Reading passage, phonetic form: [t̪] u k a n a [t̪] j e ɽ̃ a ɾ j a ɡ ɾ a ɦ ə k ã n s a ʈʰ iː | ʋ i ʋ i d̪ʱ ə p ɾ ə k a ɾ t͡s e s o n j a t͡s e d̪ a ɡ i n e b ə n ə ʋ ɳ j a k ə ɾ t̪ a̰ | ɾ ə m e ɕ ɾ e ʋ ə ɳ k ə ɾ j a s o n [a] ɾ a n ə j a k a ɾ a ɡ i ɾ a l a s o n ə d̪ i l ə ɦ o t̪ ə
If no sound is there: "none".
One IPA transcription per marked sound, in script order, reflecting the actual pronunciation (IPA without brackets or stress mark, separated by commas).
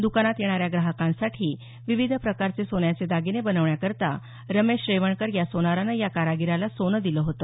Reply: d̪, t̪, a